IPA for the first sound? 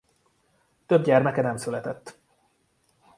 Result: t̪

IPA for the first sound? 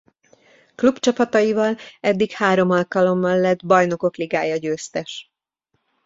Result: k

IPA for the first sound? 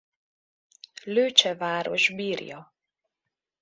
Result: l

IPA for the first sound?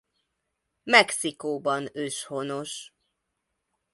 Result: m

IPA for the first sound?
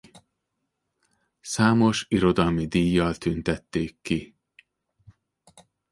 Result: s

